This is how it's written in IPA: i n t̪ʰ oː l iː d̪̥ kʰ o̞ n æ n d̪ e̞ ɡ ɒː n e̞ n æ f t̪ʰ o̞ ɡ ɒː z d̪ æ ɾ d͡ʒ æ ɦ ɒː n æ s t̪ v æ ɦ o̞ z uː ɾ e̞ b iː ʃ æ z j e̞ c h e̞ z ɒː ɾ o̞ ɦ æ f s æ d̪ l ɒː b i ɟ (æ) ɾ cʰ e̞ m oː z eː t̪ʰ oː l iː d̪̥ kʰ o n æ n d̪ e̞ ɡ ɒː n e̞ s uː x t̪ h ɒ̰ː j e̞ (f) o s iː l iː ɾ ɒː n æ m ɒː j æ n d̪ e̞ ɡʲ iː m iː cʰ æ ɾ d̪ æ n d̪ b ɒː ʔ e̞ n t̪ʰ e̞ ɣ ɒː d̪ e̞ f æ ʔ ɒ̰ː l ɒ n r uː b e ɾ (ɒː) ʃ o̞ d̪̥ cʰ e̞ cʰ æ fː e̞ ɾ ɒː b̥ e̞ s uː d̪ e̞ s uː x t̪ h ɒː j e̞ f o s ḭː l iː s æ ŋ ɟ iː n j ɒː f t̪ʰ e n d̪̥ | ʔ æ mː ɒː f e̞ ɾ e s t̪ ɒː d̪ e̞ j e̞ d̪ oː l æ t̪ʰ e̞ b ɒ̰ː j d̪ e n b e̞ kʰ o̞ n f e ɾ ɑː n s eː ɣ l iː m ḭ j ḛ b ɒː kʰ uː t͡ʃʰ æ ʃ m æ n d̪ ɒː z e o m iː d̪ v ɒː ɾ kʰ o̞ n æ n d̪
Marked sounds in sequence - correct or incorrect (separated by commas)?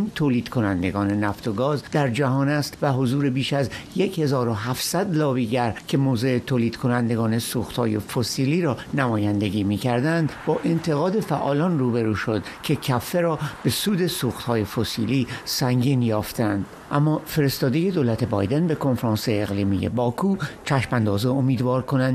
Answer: correct, correct, incorrect